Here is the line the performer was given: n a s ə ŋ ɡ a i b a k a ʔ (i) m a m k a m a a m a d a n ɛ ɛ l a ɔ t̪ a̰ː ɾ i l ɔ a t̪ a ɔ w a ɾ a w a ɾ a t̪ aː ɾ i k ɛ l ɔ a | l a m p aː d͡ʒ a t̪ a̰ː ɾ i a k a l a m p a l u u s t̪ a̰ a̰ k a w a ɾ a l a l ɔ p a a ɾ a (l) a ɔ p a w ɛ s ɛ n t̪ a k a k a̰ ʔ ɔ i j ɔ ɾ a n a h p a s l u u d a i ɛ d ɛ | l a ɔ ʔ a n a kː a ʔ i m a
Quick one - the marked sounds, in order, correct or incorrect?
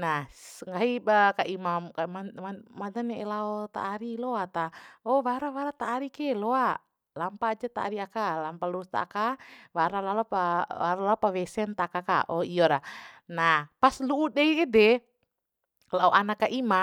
correct, correct

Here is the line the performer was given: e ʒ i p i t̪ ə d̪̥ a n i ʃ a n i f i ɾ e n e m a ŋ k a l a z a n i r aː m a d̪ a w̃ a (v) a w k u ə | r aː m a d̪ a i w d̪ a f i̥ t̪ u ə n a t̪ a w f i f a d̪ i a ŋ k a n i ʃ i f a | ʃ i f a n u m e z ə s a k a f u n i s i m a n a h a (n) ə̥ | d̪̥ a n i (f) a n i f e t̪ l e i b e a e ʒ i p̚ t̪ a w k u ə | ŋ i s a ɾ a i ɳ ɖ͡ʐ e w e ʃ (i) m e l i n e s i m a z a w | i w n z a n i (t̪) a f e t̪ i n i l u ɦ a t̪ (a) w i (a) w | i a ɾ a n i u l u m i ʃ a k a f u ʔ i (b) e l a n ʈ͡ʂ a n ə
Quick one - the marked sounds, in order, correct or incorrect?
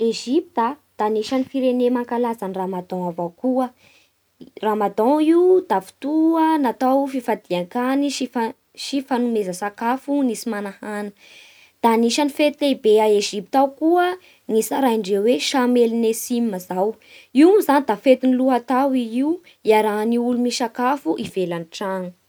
correct, correct, incorrect: ʃ, incorrect: a, incorrect: d̪, correct, incorrect: i, incorrect: v

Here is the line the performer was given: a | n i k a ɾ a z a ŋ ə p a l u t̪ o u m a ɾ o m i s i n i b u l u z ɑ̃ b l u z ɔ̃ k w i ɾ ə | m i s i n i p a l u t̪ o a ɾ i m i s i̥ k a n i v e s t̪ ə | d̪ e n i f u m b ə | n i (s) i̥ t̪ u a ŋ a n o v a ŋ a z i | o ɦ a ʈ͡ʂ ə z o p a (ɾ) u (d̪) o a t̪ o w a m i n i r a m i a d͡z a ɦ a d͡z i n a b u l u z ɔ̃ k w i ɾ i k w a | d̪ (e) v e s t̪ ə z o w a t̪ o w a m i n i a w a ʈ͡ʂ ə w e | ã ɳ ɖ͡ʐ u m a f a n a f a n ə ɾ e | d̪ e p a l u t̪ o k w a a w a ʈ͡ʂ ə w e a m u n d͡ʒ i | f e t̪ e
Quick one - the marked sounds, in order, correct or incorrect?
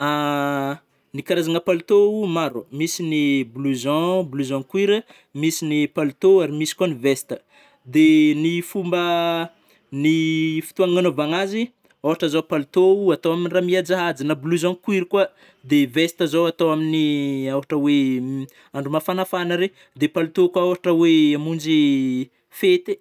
incorrect: f, incorrect: l, incorrect: t̪, correct

